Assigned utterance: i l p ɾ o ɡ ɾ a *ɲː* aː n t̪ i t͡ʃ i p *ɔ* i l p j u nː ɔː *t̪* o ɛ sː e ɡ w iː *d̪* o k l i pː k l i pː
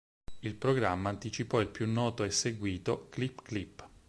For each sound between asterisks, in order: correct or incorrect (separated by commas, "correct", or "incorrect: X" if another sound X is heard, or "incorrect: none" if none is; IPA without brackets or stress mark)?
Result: incorrect: mː, correct, correct, incorrect: t̪